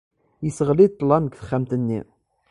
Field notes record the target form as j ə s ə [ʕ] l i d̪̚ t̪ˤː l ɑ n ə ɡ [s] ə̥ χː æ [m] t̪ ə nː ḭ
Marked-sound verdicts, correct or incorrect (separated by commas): incorrect, incorrect, correct